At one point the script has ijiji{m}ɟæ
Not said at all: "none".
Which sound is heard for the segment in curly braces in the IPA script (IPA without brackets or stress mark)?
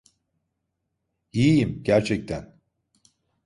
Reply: m